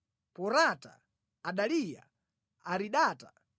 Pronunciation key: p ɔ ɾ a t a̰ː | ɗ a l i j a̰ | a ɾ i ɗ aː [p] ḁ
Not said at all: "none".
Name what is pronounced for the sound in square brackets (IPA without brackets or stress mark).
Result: t